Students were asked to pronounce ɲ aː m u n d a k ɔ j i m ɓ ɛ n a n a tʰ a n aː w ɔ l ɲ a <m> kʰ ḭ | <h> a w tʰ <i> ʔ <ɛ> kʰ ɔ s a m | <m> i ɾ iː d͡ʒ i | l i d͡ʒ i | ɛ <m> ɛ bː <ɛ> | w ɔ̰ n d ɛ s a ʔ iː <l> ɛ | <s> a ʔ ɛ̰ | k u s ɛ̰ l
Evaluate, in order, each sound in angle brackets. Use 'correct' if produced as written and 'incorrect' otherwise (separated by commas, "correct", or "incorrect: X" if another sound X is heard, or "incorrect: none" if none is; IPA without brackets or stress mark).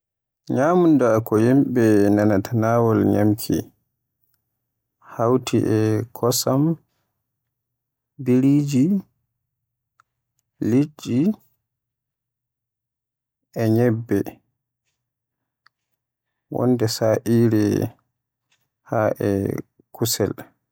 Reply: correct, correct, correct, correct, incorrect: b, incorrect: ɲ, correct, incorrect: ɾ, incorrect: h